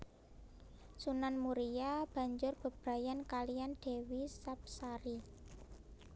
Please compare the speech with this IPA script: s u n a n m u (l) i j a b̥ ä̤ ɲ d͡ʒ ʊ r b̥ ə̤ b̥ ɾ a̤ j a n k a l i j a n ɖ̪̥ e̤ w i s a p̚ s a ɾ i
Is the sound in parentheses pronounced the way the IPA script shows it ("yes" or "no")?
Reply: no